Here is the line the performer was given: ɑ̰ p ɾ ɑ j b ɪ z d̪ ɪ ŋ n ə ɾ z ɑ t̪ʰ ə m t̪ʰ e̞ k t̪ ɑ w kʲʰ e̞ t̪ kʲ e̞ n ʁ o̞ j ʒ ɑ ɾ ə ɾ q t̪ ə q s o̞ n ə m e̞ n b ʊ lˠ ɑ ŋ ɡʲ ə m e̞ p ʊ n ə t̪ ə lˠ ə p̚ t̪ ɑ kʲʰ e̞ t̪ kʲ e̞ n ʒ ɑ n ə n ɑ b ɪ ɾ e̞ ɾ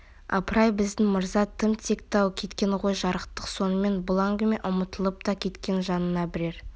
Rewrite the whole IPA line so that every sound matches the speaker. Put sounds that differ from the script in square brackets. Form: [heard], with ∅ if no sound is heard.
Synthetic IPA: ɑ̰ p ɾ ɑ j b ɪ z d̪ ɪ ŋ [m] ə ɾ z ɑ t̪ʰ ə m t̪ʰ e̞ k t̪ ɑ w kʲʰ e̞ t̪ kʲ e̞ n ʁ o̞ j ʒ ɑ ɾ ə [∅] q t̪ ə q s o̞ n ə m e̞ n b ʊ lˠ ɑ ŋ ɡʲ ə m e̞ [ʔ] ʊ [m] ə t̪ ə lˠ ə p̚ t̪ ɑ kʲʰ e̞ t̪ kʲ e̞ n ʒ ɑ n ə n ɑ b ɪ ɾ e̞ ɾ